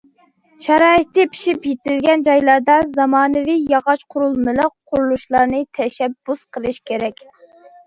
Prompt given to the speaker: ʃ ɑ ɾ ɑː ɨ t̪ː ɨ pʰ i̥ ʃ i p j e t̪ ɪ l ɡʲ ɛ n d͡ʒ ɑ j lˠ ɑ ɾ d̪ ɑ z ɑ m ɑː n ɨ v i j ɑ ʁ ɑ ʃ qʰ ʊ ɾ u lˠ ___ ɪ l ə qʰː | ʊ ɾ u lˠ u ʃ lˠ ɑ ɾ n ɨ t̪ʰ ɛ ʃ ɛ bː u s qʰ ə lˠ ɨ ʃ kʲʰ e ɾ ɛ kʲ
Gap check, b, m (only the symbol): m